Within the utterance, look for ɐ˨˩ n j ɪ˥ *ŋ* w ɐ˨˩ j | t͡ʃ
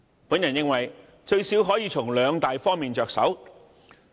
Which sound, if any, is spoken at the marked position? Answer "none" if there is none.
ŋ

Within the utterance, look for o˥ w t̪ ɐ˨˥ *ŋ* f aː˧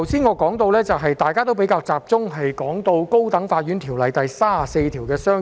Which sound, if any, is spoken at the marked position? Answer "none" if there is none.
ŋ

